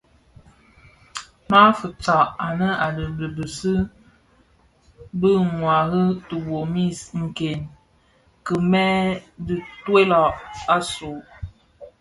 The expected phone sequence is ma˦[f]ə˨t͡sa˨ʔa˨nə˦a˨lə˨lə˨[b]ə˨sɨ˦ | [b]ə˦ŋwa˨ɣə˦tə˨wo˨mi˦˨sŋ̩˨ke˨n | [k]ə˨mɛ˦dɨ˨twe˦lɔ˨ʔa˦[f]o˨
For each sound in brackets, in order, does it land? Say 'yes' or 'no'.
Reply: yes, yes, yes, yes, no

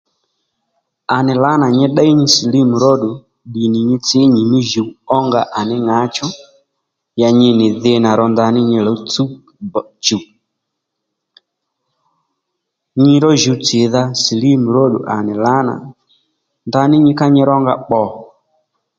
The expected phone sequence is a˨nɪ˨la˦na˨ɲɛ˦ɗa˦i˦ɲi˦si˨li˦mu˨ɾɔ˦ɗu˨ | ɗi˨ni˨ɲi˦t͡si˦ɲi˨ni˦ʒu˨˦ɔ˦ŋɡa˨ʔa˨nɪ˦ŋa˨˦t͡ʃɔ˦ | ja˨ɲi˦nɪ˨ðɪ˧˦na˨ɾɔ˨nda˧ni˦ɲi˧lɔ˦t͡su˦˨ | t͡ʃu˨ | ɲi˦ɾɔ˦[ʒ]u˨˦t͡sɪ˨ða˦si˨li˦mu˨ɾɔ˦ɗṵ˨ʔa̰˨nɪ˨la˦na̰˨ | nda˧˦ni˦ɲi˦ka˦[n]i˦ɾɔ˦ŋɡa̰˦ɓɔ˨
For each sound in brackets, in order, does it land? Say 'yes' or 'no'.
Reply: yes, no

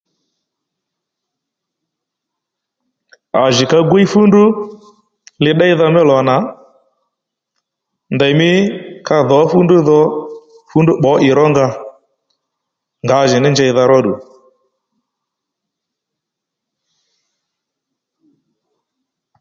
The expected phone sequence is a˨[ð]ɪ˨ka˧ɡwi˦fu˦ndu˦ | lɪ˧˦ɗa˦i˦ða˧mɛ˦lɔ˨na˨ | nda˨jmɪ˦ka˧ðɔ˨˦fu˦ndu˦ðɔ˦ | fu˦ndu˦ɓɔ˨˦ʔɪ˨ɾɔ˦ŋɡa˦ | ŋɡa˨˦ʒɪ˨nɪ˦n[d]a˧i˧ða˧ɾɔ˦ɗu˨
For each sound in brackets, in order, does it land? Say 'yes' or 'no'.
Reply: no, no

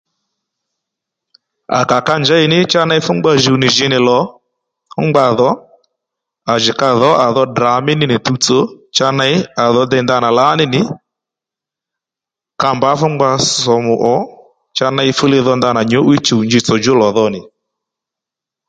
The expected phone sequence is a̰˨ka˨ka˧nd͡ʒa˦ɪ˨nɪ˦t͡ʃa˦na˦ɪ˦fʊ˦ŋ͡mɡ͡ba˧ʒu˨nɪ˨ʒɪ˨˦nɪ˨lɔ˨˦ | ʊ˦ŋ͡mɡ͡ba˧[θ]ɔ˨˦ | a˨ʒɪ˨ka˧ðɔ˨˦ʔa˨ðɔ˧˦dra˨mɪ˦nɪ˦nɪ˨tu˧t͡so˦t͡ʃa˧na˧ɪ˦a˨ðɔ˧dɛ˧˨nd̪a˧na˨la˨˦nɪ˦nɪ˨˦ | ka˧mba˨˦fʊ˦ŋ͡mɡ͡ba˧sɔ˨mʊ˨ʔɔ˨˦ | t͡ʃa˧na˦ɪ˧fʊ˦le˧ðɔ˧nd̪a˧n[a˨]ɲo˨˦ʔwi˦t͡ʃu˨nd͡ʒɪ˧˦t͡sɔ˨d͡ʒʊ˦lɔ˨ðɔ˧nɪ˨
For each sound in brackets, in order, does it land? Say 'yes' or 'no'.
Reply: no, yes

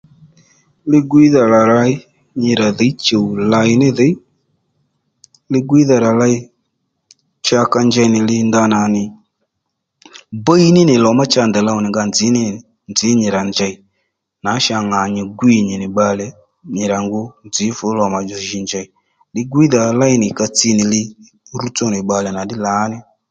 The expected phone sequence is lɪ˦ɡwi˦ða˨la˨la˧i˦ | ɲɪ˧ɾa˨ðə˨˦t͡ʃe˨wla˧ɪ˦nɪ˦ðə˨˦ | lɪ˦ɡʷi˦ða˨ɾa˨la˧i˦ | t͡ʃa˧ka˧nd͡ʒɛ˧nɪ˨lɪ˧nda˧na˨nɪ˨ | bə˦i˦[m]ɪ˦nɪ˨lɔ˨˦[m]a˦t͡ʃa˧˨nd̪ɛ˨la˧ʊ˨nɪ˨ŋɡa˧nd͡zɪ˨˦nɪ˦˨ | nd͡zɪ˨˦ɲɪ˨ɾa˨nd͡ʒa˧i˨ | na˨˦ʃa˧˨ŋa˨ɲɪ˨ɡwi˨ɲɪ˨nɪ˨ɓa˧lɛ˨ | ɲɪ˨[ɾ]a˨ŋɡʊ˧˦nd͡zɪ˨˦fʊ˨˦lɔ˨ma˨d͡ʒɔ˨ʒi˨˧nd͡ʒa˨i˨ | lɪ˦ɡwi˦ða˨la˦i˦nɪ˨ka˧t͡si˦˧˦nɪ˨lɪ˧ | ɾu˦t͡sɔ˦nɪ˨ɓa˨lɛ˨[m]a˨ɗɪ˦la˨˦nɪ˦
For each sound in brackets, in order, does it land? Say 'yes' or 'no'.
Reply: no, yes, yes, no

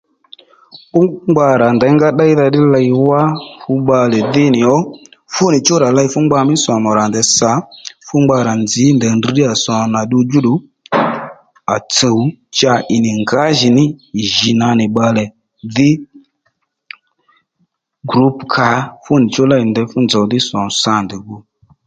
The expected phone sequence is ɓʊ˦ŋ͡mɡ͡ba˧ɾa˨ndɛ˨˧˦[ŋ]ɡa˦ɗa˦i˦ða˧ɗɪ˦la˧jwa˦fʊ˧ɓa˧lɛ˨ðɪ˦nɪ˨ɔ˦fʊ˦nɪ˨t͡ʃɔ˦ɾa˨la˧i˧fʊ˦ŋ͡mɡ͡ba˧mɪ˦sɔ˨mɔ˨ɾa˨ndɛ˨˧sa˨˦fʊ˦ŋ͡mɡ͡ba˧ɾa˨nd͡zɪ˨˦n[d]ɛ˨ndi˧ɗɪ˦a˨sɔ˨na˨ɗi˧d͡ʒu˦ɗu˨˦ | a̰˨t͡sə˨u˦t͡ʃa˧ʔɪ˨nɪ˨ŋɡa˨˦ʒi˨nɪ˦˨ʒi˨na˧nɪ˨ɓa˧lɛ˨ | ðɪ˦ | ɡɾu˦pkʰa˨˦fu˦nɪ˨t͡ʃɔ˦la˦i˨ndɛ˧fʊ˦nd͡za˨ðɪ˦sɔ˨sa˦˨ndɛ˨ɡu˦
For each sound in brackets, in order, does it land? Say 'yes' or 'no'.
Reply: yes, yes

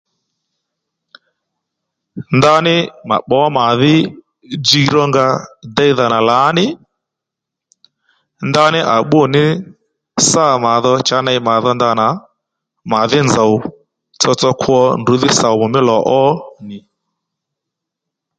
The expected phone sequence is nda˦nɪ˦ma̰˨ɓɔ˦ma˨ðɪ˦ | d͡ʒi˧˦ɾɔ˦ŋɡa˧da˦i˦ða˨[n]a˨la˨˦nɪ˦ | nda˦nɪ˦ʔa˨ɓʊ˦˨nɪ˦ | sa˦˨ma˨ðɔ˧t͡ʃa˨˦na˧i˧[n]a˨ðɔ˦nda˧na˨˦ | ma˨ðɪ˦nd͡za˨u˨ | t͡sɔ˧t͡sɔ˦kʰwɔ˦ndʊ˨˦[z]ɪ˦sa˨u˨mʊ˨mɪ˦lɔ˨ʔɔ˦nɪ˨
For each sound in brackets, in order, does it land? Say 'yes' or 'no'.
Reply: yes, no, no

